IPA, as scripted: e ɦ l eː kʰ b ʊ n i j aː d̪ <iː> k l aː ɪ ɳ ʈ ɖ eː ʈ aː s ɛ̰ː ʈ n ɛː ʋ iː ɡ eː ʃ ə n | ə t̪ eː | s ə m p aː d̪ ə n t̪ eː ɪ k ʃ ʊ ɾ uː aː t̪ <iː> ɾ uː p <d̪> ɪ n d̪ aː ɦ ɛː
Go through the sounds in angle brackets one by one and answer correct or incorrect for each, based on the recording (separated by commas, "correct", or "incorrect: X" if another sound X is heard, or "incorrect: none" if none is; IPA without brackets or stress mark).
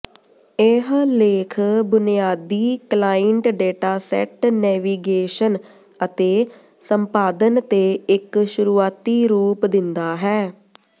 correct, correct, correct